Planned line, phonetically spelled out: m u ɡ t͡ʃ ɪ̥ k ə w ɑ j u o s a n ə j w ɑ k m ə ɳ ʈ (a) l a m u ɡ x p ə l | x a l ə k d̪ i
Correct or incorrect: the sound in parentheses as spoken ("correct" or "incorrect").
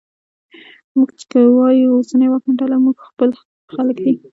correct